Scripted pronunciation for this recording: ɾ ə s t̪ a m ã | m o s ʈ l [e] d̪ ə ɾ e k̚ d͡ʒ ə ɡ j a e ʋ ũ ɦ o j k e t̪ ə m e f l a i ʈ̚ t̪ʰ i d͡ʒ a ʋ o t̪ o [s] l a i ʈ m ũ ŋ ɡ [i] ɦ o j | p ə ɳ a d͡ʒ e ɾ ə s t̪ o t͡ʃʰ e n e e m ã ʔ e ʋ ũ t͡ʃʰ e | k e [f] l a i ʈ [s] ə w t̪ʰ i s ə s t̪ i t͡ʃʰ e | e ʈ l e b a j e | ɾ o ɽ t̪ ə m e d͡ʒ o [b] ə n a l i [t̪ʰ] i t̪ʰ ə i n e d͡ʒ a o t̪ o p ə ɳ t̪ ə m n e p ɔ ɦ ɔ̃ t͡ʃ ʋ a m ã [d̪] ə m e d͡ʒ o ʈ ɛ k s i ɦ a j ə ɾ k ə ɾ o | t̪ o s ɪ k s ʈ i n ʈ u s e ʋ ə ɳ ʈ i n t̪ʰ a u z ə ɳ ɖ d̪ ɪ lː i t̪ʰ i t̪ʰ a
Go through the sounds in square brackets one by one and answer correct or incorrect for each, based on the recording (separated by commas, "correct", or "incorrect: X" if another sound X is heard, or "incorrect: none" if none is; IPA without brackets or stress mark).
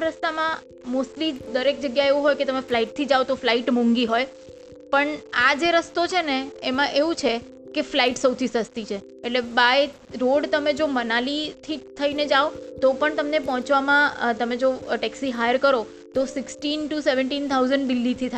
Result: incorrect: i, incorrect: f, correct, correct, correct, incorrect: m, correct, incorrect: t̪